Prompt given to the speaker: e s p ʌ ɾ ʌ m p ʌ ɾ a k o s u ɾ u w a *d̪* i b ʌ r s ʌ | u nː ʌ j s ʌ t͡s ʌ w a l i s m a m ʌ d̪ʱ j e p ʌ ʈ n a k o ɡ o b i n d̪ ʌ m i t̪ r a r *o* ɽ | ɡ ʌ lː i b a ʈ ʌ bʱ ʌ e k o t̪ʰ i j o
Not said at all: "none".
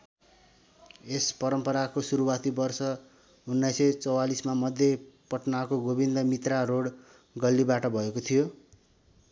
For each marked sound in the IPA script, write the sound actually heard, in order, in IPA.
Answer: t̪, o

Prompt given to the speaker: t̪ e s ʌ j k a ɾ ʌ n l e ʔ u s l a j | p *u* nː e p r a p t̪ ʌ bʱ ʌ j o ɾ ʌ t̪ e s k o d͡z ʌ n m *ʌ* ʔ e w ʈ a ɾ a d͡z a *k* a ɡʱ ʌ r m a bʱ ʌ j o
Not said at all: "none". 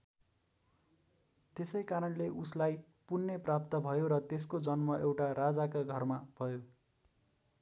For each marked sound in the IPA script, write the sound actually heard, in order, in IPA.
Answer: u, ʌ, k

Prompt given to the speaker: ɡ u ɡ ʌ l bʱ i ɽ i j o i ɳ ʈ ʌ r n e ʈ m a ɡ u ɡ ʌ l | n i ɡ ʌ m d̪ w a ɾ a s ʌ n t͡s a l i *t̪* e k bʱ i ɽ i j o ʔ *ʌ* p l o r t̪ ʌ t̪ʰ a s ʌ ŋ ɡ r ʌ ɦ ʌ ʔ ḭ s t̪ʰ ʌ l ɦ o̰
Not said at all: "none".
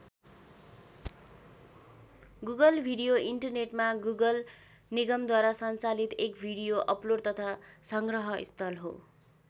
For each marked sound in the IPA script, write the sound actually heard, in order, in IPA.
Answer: t̪, ʌ

